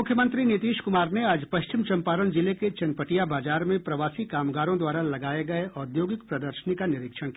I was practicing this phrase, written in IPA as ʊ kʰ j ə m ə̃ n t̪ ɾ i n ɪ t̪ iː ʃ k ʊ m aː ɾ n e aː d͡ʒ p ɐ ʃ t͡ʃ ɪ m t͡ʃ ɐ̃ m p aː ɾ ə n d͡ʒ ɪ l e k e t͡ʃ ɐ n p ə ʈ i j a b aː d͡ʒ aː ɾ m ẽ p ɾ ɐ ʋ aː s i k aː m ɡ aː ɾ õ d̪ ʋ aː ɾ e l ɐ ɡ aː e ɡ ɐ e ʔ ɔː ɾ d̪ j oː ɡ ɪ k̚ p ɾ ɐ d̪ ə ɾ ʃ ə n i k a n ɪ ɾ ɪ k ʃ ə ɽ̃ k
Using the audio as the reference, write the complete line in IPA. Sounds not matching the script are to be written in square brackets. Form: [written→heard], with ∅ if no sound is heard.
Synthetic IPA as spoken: ʊ kʰ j ə m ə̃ n t̪ ɾ i n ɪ t̪ iː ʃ k ʊ m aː ɾ n e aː d͡ʒ p ɐ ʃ t͡ʃ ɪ m t͡ʃ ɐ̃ m p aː ɾ ə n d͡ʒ ɪ l e k e t͡ʃ ɐ n p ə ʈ i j a b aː d͡ʒ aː ɾ m ẽ p ɾ ɐ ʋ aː s i k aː m ɡ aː ɾ õ d̪ [ʋ→w] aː ɾ [e→a] l ɐ ɡ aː e ɡ ɐ e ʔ ɔː ɾ d̪ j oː ɡ ɪ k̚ p ɾ ɐ d̪ ə ɾ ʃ ə n i k a n ɪ ɾ ɪ k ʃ ə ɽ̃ k